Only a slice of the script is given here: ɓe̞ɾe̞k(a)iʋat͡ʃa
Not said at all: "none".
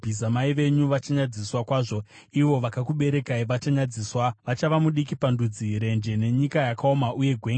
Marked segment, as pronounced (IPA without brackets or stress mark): a